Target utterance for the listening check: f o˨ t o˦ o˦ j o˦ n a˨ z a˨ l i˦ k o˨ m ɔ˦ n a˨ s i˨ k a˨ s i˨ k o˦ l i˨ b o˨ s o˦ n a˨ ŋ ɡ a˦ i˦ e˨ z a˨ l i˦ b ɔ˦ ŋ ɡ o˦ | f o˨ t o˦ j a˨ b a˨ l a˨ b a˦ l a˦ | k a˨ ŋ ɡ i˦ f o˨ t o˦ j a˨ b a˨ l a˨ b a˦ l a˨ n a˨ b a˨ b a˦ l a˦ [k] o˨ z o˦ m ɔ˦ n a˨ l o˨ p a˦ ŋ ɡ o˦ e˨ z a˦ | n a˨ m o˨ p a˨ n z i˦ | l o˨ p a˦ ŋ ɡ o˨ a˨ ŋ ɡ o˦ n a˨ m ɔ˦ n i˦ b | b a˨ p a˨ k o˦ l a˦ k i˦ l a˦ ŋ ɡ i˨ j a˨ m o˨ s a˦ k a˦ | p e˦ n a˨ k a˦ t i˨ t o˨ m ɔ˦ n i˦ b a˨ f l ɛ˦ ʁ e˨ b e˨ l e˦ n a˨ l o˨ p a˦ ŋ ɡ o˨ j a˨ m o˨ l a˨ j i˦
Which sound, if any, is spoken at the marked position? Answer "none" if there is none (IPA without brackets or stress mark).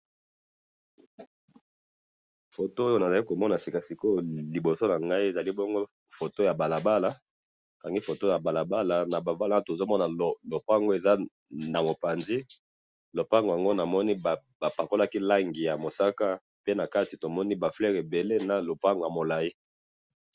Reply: t